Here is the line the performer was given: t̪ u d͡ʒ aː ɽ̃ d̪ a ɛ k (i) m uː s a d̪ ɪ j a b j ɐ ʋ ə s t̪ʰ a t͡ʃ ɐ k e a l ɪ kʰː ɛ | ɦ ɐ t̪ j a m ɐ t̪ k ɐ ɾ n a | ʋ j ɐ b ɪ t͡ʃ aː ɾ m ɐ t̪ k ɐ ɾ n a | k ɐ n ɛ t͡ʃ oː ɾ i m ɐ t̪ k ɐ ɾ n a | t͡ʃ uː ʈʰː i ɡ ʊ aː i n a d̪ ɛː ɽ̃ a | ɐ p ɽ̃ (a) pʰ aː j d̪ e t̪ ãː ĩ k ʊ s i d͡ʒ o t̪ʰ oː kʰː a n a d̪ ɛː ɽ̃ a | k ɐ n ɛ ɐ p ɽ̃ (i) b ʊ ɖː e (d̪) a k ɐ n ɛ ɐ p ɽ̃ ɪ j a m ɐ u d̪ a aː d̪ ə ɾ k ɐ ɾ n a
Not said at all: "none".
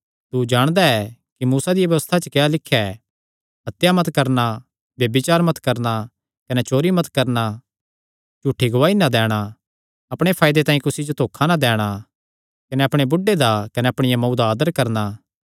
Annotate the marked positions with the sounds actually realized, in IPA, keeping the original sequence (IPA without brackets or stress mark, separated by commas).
i, e, e, d̪